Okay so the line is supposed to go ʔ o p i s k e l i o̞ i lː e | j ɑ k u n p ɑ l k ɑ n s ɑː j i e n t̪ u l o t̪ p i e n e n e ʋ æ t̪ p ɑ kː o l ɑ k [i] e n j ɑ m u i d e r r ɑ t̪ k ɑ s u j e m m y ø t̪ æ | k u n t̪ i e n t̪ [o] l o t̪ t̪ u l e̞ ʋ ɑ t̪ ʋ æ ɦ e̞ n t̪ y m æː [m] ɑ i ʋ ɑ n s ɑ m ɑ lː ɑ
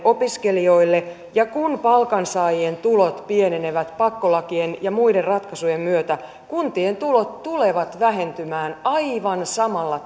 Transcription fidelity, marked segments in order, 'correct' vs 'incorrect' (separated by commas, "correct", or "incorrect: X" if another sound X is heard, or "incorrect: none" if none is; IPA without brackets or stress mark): correct, incorrect: u, incorrect: n